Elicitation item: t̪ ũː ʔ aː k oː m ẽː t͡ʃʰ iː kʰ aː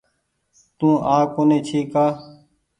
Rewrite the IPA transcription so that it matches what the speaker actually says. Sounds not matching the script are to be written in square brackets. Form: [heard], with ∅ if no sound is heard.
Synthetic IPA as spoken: t̪ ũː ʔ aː k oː [n] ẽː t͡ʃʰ iː [k] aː